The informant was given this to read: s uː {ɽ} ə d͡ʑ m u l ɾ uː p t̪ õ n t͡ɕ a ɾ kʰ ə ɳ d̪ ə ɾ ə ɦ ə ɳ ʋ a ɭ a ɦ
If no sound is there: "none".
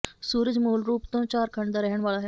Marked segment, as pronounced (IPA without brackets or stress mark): ɾ